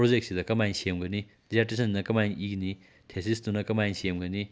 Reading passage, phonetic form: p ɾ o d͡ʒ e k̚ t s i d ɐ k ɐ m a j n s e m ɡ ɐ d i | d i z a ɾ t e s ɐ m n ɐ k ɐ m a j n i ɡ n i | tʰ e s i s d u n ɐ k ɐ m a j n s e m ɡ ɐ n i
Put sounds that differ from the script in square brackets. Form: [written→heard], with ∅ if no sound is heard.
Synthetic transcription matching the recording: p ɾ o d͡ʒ e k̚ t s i d ɐ k ɐ m a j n s e m ɡ ɐ [d→n] i | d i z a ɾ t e s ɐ [m→n] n ɐ k ɐ m a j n i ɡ n i | tʰ e s i s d u n ɐ k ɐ m a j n s e m ɡ ɐ n i